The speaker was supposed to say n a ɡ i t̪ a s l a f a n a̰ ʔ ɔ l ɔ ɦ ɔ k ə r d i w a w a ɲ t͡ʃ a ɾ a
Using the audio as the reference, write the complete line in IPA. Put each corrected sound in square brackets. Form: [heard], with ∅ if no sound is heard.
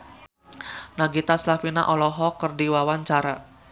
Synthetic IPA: n a ɡ i t̪ a s l a f [i] n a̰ ʔ ɔ l ɔ ɦ ɔ k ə r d i w a w a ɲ t͡ʃ a ɾ a